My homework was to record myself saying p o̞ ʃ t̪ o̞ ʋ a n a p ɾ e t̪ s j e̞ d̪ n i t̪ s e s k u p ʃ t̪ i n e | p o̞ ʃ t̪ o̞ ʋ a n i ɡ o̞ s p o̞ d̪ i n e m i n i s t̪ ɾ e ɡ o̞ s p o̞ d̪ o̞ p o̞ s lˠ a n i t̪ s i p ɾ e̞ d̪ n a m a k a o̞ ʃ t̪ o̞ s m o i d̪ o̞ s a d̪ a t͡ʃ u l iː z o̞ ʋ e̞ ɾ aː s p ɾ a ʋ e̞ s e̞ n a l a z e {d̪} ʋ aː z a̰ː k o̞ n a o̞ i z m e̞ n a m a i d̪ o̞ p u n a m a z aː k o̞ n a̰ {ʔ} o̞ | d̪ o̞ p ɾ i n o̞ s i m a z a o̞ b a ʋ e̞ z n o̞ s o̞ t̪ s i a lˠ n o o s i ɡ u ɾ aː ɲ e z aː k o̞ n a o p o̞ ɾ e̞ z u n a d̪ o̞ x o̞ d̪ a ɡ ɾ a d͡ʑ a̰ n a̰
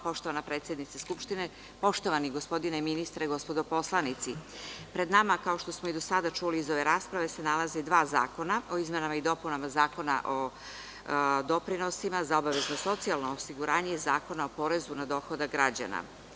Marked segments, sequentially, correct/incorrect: correct, correct

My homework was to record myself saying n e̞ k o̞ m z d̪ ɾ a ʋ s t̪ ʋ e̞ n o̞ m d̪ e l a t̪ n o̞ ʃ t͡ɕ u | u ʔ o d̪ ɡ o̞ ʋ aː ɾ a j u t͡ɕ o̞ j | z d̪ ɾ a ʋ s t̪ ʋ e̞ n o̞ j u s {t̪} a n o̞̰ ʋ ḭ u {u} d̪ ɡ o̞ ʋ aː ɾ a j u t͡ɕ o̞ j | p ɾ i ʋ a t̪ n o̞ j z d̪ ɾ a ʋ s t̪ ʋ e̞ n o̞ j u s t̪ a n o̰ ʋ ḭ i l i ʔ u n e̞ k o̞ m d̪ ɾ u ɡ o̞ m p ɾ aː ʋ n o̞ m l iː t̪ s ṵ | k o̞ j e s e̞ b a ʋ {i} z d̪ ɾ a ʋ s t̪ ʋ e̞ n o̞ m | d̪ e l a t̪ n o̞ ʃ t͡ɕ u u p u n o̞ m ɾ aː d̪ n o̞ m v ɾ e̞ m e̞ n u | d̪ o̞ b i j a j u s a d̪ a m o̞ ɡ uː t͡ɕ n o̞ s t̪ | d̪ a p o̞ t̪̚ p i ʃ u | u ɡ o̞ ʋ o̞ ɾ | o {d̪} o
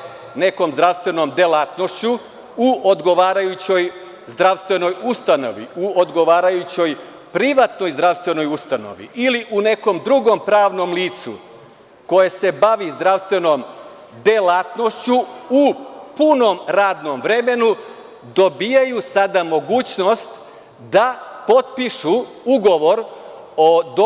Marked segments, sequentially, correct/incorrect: correct, incorrect, correct, correct

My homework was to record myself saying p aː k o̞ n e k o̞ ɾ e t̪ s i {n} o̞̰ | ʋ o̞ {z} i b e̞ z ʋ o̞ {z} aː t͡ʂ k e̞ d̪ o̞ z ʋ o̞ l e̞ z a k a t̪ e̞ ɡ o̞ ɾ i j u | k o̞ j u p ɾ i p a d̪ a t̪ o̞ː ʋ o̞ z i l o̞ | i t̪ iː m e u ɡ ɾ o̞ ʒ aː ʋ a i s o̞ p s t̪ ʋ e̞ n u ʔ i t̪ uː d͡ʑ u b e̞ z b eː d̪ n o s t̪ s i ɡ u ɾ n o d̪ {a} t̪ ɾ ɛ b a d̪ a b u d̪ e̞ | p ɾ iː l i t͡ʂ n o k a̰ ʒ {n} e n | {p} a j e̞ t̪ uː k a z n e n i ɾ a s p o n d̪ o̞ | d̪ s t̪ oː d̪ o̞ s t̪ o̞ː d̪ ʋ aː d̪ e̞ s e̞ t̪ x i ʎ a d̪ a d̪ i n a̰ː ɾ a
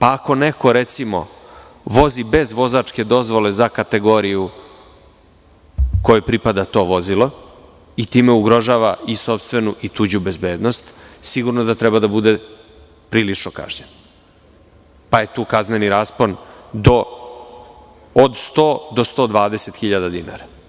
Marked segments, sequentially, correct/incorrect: incorrect, correct, correct, correct, incorrect, correct

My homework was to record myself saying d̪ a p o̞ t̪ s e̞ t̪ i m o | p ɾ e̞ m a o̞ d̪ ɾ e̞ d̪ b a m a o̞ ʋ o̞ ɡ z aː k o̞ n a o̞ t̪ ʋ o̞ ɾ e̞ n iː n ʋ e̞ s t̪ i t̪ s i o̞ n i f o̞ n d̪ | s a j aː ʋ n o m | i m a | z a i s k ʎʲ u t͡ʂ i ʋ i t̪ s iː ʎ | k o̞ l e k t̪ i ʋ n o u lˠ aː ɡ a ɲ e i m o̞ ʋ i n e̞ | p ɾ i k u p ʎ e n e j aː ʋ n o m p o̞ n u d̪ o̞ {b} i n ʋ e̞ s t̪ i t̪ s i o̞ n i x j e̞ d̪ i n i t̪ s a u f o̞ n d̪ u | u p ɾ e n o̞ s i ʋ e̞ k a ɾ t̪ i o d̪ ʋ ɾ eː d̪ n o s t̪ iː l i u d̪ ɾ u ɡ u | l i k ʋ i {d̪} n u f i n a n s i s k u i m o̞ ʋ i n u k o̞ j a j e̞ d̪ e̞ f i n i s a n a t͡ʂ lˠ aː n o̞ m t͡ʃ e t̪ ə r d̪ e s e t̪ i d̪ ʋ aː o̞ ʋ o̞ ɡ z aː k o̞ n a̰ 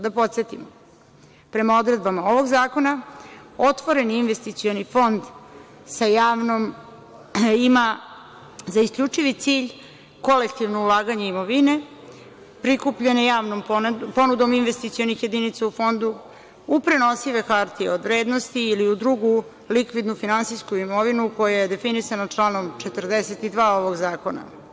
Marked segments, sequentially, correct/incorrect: incorrect, correct

